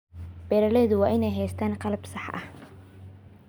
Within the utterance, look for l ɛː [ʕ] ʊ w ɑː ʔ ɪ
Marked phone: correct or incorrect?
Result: incorrect